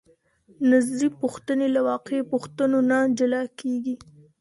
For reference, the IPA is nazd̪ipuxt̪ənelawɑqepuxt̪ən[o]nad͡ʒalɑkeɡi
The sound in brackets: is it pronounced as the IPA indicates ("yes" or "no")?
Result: yes